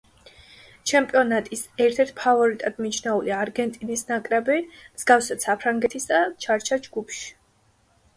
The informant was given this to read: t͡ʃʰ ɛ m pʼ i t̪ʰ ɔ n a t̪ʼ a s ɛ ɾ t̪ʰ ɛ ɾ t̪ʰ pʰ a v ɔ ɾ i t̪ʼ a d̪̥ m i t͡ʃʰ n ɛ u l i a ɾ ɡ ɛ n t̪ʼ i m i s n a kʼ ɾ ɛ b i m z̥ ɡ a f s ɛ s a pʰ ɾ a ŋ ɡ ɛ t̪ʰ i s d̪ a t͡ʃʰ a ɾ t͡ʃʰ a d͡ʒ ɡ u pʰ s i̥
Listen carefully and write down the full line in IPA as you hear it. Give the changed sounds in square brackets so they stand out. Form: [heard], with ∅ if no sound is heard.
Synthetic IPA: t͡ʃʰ ɛ m pʼ i [∅] ɔ n a t̪ʼ [i] s ɛ ɾ t̪ʰ ɛ ɾ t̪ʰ pʰ a v ɔ ɾ i t̪ʼ a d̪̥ m i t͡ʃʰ n ɛ u l i a ɾ ɡ ɛ n t̪ʼ i [n] i s n a kʼ ɾ ɛ b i m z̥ ɡ a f s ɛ s a pʰ ɾ a ŋ ɡ ɛ t̪ʰ i s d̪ a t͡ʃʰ a ɾ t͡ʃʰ a d͡ʒ ɡ u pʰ [ʃ] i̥